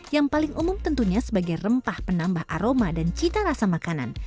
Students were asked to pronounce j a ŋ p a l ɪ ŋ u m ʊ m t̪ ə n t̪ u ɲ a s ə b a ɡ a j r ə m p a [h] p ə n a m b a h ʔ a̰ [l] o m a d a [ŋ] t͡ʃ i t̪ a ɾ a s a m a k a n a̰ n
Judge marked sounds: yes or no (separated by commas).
yes, no, no